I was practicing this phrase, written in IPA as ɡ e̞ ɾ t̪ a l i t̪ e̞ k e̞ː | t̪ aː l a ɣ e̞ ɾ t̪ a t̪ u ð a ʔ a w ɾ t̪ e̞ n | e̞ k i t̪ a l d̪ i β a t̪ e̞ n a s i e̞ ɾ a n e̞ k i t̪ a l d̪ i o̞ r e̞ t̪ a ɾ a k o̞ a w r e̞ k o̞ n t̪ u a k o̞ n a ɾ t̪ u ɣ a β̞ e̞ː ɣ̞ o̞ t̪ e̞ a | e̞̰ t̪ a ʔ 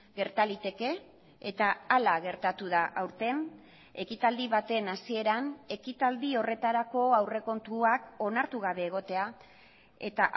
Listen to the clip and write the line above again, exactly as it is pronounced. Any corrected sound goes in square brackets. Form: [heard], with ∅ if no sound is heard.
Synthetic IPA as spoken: ɡ e̞ ɾ t̪ a l i t̪ e̞ k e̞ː | t̪ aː l a ɣ e̞ ɾ t̪ a t̪ u ð a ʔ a w ɾ t̪ e̞ n | e̞ k i t̪ a l d̪ i β a t̪ e̞ n a s i e̞ ɾ a n e̞ k i t̪ a l d̪ i o̞ r e̞ t̪ a ɾ a k o̞ a w r e̞ k o̞ n t̪ u a k o̞ n a ɾ t̪ u ɣ a β̞ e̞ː ɣ̞ o̞ t̪ e̞ a | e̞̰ t̪ a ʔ